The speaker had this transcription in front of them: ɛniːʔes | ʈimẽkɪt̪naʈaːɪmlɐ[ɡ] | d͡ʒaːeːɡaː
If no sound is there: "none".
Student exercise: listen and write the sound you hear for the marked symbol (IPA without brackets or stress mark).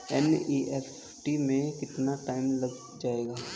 ɡ